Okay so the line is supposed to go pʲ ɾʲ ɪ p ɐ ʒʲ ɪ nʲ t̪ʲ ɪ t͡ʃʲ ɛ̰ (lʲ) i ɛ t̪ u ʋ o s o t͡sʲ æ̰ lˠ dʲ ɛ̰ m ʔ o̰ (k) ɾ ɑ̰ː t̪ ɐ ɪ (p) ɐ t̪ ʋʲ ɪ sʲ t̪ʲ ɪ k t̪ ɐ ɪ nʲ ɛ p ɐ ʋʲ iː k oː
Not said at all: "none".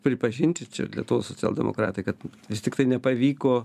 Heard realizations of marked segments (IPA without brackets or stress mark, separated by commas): lʲ, k, k